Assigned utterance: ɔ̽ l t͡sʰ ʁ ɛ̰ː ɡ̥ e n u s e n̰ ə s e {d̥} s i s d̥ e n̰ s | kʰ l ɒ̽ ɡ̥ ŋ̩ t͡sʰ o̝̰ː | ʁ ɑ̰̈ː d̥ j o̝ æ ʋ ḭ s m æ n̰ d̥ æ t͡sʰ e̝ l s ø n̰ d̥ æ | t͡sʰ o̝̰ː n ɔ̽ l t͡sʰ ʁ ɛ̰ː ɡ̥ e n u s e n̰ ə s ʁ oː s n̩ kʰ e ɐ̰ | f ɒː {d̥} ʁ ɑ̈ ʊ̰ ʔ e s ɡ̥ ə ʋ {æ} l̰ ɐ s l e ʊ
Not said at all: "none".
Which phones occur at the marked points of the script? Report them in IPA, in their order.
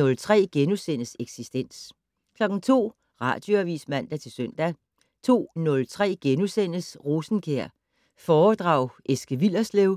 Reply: ɡ̥, d̥, i

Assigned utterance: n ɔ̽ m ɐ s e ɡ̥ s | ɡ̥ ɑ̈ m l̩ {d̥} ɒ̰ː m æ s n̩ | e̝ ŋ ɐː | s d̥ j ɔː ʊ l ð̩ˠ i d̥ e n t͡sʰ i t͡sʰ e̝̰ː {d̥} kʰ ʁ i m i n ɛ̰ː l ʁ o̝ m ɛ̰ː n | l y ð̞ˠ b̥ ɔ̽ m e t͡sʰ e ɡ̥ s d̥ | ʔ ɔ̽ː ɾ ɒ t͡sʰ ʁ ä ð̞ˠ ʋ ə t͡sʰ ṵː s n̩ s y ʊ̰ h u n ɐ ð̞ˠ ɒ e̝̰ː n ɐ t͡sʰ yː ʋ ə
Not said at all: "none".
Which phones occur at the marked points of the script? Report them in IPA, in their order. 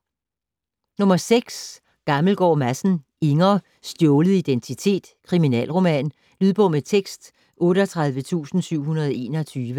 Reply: ɡ̥, d̥

